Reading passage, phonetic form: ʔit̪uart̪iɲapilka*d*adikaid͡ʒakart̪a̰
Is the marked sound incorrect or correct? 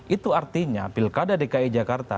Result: correct